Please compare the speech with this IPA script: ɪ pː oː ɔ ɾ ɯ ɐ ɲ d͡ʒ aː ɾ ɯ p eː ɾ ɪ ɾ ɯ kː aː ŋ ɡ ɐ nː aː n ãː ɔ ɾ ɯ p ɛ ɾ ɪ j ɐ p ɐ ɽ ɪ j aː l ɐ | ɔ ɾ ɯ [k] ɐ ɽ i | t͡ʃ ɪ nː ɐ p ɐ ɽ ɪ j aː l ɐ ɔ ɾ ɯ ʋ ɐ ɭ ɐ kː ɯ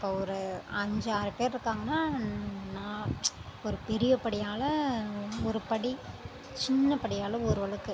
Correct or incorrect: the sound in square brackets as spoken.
incorrect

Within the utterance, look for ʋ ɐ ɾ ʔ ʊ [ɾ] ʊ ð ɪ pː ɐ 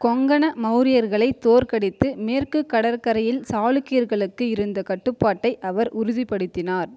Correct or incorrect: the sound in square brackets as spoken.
correct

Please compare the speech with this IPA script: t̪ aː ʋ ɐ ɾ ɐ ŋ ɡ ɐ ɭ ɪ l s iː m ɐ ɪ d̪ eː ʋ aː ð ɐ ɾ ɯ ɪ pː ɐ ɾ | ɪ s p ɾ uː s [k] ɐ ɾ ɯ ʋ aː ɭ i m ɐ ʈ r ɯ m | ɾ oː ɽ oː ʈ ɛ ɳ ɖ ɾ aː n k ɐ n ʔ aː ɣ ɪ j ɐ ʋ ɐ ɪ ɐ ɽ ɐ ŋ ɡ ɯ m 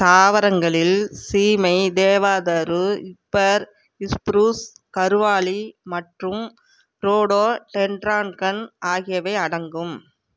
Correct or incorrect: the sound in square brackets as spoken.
correct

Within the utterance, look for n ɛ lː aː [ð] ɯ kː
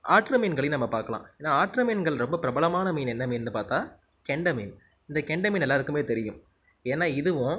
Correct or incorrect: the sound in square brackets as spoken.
correct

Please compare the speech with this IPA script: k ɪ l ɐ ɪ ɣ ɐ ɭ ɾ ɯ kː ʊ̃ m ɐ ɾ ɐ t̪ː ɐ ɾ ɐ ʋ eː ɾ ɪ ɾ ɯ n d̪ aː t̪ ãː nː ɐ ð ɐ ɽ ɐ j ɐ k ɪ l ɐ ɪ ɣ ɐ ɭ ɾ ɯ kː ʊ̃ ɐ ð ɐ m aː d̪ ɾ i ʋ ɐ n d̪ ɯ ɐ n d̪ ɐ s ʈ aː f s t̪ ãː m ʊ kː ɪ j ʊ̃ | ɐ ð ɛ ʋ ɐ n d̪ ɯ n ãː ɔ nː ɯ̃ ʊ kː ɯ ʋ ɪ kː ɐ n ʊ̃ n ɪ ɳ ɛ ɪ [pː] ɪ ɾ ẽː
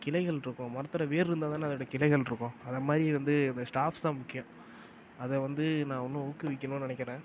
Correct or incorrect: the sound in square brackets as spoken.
incorrect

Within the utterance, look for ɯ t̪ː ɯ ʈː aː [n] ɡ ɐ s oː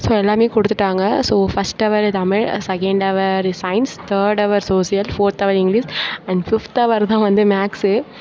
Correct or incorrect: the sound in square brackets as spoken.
incorrect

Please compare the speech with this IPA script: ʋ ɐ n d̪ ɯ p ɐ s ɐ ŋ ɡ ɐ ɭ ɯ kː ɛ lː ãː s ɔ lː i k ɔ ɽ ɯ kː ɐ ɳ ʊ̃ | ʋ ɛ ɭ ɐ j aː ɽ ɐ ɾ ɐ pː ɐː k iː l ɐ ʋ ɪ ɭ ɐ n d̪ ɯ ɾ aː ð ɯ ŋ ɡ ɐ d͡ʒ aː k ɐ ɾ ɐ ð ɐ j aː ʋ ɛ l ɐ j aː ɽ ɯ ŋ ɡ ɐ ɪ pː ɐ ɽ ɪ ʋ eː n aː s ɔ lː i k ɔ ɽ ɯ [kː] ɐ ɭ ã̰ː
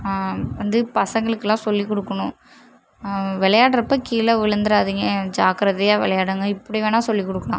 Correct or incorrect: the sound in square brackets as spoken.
correct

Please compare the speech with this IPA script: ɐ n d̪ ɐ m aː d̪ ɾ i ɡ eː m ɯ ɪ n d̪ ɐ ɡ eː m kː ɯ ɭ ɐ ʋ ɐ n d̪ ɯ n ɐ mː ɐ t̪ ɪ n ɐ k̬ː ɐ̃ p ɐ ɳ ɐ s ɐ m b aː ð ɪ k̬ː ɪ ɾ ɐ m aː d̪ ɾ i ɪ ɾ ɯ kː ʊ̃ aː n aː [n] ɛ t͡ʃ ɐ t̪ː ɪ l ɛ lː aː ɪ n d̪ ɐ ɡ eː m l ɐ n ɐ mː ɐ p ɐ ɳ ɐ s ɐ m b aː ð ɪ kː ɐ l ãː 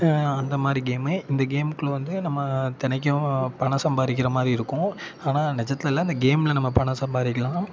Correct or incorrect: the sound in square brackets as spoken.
correct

